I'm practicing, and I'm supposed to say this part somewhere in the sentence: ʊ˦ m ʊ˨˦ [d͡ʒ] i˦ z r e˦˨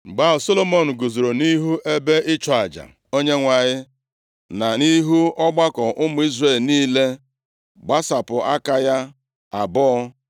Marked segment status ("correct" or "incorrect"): incorrect